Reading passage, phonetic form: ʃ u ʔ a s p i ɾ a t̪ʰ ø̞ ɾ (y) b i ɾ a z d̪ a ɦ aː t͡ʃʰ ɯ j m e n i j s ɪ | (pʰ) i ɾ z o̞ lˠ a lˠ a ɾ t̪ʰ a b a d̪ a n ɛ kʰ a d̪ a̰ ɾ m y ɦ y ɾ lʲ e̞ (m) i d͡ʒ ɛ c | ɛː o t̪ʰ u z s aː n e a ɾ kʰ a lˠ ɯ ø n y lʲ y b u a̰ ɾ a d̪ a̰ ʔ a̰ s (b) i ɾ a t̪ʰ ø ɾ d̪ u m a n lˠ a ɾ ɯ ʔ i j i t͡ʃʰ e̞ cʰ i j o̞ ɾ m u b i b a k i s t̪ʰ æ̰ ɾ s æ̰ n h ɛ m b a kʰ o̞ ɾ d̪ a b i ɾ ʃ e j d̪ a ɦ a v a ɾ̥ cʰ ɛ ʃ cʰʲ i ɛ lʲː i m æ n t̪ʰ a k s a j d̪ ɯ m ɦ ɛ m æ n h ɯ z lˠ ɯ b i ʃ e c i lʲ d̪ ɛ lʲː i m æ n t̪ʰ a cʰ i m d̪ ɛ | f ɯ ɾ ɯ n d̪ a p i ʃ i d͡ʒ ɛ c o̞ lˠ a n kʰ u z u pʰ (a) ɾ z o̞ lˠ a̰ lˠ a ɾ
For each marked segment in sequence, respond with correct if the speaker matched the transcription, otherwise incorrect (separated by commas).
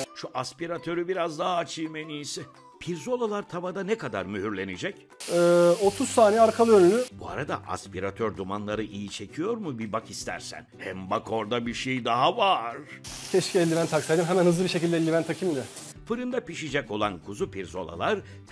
correct, correct, incorrect, incorrect, incorrect